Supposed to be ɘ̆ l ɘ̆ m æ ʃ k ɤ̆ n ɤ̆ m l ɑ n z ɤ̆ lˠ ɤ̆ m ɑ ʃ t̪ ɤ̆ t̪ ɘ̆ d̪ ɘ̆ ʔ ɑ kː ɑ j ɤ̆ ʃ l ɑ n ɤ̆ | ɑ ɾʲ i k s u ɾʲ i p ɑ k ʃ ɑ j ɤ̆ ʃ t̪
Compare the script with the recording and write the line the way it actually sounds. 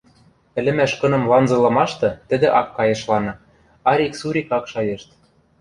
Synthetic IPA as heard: ɘ̆ l ɘ̆ m æ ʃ k ɤ̆ n ɤ̆ m l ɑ n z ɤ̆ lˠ ɤ̆ m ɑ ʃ t̪ ɤ̆ t̪ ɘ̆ d̪ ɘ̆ ʔ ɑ kː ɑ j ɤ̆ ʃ l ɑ n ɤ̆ | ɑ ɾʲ i k s u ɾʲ i k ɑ k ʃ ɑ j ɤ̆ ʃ t̪